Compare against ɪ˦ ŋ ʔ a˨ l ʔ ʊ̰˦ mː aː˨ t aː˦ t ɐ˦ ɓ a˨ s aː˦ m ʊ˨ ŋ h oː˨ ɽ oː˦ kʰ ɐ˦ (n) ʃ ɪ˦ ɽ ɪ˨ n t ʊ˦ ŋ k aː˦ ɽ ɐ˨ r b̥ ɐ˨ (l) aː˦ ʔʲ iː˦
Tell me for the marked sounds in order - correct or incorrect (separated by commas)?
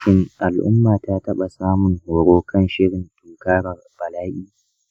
correct, correct